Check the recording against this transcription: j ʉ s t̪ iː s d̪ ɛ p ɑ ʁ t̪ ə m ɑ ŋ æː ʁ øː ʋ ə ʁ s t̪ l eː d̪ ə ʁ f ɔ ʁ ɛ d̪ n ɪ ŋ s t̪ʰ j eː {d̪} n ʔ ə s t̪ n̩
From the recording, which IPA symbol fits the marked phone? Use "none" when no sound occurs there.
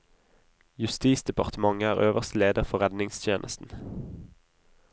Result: none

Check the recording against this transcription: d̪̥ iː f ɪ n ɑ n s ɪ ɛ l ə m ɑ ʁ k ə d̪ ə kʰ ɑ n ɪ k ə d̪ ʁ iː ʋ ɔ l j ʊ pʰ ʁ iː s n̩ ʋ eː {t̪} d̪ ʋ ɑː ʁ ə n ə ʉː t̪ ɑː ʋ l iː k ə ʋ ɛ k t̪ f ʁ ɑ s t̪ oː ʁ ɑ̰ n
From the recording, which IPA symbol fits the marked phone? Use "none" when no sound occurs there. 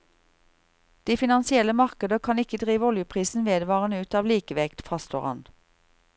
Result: none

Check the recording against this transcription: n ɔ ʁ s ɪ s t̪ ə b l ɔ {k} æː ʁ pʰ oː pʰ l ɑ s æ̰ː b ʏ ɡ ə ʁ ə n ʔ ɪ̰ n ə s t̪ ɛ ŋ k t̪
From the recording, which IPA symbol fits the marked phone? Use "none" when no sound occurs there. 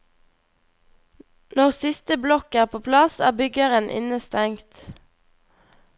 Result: k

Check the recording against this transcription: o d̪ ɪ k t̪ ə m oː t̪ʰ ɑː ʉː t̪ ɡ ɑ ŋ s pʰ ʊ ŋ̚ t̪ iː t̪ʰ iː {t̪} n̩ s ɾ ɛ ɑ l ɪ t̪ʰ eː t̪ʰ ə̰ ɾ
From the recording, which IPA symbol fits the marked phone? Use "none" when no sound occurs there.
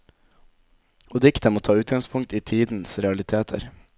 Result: d̪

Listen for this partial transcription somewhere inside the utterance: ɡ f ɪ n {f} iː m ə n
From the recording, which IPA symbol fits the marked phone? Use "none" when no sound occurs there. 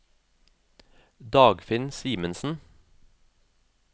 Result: s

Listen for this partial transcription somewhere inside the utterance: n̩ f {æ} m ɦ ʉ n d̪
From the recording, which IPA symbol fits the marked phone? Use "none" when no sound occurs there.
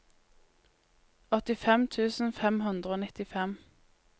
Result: ɛ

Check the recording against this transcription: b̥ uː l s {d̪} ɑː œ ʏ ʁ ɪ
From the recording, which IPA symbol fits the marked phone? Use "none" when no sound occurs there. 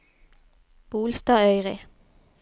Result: t̪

